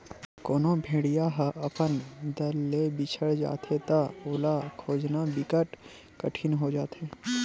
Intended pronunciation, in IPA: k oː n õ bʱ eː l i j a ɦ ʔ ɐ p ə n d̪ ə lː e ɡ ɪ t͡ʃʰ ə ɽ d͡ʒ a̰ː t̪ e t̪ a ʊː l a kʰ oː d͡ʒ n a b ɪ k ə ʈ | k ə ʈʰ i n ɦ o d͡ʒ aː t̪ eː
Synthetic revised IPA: k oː n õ bʱ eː ɽ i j a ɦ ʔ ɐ p ə n d̪ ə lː e b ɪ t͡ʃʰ ə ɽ d͡ʒ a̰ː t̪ e t̪ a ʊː l a kʰ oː d͡ʒ n a b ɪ k ə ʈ | k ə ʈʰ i n ɦ o d͡ʒ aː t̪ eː